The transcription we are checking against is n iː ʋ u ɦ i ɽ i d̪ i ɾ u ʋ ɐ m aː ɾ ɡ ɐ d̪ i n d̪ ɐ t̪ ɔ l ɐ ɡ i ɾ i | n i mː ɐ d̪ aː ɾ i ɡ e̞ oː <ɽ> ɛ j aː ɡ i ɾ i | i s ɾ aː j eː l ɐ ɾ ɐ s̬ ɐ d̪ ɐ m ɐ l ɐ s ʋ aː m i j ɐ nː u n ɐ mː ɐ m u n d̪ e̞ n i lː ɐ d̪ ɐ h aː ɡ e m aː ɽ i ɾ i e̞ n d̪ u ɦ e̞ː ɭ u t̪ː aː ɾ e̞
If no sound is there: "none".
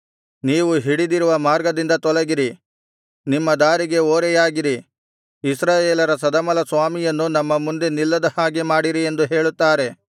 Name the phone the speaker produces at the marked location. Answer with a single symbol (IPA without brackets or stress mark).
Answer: ɾ